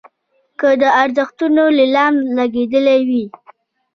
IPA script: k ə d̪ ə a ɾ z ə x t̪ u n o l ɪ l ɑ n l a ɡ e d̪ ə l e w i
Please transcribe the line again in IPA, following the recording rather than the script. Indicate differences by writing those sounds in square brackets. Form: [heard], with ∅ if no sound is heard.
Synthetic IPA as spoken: k ə d̪ ə a ɾ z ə x t̪ u n o l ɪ l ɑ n l a ɡ e d̪ ə l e w i